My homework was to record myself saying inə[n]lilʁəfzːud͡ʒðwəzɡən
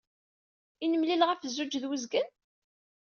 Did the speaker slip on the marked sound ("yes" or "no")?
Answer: yes